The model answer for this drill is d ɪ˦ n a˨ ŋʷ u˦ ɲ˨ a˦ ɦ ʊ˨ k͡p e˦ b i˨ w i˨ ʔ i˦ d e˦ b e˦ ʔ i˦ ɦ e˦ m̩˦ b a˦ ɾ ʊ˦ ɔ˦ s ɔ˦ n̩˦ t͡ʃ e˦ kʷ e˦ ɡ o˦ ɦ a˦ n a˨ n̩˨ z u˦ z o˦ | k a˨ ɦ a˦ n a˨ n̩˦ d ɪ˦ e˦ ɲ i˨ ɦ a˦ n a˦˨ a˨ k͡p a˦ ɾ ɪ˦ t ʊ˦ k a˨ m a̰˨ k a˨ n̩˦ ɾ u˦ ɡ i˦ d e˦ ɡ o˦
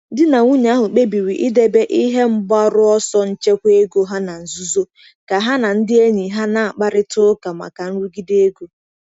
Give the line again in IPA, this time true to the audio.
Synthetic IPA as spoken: d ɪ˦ n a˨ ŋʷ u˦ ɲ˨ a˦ ɦ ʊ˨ k͡p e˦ b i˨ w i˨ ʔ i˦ d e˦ b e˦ ʔ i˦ ɦ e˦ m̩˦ b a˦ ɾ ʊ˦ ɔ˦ s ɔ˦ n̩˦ t͡ʃ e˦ kʷ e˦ ɡ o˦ ɦ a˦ n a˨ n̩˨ z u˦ z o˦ | k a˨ ɦ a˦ n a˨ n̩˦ d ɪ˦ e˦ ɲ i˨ ɦ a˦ n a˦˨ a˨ k͡p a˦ ɾ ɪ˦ t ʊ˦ k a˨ m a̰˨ k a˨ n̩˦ ɾ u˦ ɡ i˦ d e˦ ɡ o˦